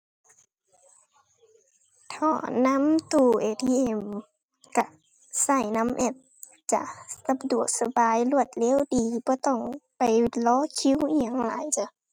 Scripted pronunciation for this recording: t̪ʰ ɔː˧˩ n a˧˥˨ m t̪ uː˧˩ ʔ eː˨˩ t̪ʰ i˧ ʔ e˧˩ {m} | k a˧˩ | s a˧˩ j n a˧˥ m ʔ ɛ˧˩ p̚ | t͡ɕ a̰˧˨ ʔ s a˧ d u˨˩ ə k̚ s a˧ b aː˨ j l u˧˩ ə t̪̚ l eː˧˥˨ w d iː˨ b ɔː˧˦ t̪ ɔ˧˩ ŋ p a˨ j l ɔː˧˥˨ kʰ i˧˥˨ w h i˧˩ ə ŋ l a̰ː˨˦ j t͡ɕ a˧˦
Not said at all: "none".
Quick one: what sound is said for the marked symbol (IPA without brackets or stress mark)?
m